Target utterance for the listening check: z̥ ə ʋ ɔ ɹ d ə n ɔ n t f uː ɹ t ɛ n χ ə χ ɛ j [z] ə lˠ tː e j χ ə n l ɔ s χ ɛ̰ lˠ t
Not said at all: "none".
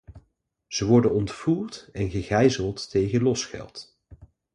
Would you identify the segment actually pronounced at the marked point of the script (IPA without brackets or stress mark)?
z